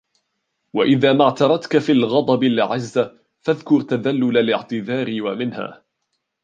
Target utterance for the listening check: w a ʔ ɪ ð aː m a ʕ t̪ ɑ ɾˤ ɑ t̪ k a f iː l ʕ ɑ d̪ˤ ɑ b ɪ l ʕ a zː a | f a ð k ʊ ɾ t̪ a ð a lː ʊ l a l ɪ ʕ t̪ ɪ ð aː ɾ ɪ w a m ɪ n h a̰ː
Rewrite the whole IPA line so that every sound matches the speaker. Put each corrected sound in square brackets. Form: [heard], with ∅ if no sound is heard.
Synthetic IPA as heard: w a ʔ ɪ ð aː m a ʕ t̪ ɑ ɾˤ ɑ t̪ k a f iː l [ɣ] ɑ d̪ˤ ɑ b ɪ l ʕ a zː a | f a ð k ʊ ɾ t̪ a ð a lː ʊ l a l ɪ ʕ t̪ ɪ ð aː ɾ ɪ w a m ɪ n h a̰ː